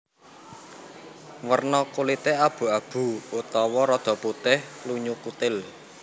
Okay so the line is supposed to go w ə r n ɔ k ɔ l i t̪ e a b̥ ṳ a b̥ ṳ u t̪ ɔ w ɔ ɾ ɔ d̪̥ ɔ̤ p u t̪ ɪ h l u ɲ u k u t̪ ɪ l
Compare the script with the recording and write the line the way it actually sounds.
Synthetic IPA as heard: w ə r n ɔ k u l i t̪ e a b̥ ṳ a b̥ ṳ u t̪ ɔ w ɔ ɾ ɔ d̪̥ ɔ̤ p u t̪ ɪ h l u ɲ u k u t̪ ɪ l